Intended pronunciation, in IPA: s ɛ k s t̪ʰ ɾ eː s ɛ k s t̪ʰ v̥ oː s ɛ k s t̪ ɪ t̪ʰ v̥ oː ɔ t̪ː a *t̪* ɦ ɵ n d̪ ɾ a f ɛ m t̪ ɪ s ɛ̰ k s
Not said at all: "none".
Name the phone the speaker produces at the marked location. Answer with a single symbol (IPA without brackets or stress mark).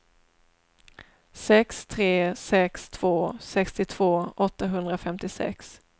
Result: none